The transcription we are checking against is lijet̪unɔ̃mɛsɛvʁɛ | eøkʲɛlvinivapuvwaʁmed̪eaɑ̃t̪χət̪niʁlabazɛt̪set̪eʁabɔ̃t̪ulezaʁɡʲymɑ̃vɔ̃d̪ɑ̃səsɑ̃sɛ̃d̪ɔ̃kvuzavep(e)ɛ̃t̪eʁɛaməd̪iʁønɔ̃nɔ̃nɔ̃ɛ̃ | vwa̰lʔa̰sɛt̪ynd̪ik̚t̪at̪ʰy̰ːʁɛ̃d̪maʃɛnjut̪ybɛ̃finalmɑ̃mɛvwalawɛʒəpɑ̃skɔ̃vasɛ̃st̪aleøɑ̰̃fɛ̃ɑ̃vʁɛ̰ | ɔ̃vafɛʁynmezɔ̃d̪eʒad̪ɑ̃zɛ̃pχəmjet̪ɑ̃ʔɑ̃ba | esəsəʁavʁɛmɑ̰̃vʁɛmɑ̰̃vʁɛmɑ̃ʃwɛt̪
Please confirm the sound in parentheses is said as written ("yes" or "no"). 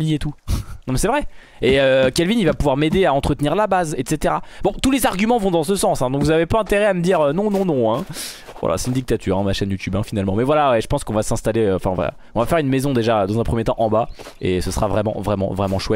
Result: no